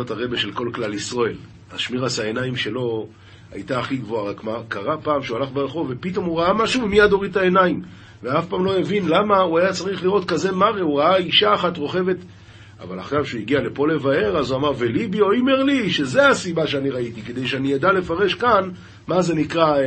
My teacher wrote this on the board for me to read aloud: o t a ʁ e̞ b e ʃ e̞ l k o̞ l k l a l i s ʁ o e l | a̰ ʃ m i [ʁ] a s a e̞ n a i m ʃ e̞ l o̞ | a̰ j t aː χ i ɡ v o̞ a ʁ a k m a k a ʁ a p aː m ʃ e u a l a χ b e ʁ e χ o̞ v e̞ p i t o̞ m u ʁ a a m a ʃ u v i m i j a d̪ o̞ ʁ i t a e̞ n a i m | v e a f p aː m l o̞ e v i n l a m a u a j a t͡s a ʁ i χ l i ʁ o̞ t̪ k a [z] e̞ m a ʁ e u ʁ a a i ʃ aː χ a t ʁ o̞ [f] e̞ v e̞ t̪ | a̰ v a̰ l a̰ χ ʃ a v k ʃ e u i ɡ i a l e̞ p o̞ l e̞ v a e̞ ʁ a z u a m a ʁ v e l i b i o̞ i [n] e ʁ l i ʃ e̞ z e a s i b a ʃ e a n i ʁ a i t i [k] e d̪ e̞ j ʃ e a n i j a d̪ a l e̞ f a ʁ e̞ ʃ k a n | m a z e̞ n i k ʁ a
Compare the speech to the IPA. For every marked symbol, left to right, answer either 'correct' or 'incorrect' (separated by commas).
correct, correct, incorrect, incorrect, correct